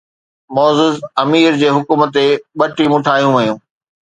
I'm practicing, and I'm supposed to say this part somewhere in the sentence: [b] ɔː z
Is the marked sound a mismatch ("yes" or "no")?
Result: yes